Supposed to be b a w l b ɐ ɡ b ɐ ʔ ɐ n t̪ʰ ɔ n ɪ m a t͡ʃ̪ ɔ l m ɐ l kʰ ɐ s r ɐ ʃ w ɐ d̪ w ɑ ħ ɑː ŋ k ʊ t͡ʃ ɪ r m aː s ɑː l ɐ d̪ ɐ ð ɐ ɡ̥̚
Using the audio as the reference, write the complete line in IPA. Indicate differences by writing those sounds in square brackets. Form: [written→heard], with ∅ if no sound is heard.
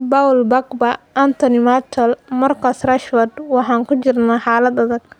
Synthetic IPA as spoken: b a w l b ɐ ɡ b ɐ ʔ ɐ n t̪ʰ ɔ n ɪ m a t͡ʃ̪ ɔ l m ɐ [l→r] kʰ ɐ s r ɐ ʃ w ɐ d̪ w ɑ ħ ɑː ŋ k ʊ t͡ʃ ɪ r [m→n] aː [s→ħ] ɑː l ɐ d̪ ɐ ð ɐ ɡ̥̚